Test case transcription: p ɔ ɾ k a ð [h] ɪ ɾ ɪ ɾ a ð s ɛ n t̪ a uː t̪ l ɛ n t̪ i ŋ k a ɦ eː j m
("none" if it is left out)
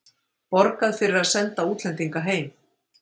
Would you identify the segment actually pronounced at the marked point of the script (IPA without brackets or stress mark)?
f